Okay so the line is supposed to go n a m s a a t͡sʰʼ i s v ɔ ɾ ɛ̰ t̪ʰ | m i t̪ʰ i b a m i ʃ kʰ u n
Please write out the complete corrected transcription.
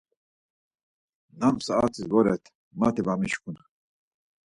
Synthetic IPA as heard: n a m s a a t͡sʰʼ i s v ɔ ɾ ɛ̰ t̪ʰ | m a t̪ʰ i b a m i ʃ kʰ u n